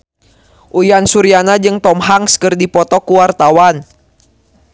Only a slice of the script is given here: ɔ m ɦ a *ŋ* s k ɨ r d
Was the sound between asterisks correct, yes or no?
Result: yes